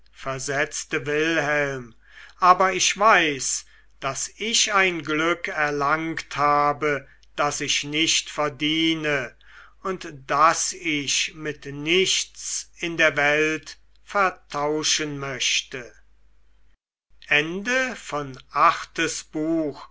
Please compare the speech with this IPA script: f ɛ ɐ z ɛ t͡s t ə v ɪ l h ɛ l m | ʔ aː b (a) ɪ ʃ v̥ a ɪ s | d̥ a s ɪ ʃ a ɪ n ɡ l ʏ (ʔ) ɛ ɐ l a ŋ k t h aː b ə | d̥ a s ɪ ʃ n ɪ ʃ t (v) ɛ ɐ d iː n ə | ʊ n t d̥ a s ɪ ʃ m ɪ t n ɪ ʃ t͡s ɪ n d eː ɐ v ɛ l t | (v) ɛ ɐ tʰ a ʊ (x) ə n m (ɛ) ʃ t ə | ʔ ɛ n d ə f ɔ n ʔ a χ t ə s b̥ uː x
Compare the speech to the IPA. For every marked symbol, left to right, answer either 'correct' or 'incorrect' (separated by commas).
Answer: incorrect, incorrect, incorrect, incorrect, incorrect, incorrect